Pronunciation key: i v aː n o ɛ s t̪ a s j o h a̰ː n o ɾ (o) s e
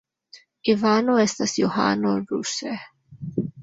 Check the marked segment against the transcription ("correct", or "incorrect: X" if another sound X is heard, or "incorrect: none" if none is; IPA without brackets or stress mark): incorrect: u